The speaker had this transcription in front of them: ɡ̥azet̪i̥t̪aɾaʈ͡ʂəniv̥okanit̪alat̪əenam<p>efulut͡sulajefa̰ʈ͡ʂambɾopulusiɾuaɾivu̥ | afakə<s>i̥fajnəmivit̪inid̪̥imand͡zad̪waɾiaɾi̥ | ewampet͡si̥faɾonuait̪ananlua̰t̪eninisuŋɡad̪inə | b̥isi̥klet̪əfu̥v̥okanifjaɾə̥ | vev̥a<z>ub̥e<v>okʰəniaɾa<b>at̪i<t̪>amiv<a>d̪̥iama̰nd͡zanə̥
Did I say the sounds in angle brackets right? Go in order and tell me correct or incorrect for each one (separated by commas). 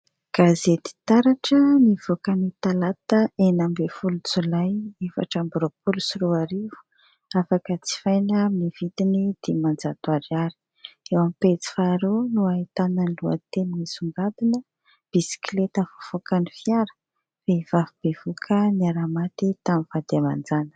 incorrect, incorrect, incorrect, correct, incorrect, correct, correct